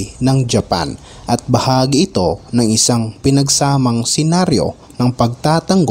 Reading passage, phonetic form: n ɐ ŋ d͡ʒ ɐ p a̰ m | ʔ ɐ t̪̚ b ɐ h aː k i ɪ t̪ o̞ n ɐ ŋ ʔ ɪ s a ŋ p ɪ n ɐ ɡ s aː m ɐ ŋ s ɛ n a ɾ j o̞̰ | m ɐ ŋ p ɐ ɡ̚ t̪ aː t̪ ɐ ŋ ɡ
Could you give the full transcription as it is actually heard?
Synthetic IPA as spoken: n ɐ ŋ d͡ʒ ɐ p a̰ n | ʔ ɐ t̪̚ b ɐ h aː ɡ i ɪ t̪ o̞ n ɐ ŋ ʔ ɪ s a ŋ p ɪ n ɐ ɡ s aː m ɐ ŋ s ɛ n a ɾ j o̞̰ | n ɐ ŋ p ɐ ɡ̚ t̪ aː t̪ ɐ ŋ ɡ